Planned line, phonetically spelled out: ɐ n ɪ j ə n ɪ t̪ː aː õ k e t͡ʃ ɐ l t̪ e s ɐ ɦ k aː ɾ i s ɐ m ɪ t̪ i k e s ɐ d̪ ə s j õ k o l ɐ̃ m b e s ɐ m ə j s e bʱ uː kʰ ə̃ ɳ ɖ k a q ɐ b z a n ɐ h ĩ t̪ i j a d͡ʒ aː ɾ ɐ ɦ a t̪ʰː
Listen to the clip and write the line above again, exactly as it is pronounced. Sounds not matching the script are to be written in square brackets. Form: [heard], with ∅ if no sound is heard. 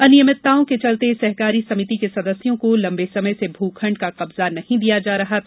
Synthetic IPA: ɐ n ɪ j ə [m] ɪ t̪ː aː õ k e t͡ʃ ɐ l t̪ e s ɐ ɦ k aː ɾ i s ɐ m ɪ t̪ i k e s ɐ d̪ ə s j õ k o l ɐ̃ m b e s ɐ m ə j s e bʱ uː kʰ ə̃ ɳ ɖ k a q ɐ b z a n ɐ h ĩ [d̪] i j a d͡ʒ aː ɾ ɐ ɦ a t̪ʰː